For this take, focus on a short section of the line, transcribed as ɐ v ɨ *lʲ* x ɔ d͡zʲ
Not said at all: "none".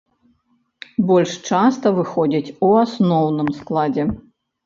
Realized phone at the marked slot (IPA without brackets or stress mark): none